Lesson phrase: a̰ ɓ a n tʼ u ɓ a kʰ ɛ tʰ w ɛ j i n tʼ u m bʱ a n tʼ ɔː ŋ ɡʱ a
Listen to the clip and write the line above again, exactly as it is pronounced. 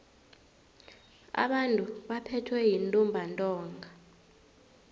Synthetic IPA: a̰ ɓ a n tʼ u ɓ a pʰ ɛ tʰ w ɛ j i n tʼ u m bʱ a n tʼ ɔː ŋ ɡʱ a